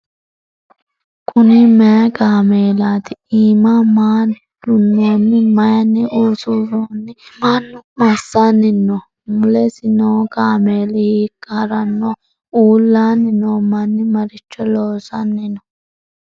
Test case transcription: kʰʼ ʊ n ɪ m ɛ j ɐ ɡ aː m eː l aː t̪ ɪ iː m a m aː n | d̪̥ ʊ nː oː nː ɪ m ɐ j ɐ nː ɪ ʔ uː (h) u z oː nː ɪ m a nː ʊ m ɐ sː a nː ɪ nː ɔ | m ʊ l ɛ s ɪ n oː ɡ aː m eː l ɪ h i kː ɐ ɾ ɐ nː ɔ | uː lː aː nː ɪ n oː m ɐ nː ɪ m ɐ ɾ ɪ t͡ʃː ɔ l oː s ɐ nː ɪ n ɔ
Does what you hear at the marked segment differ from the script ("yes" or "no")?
yes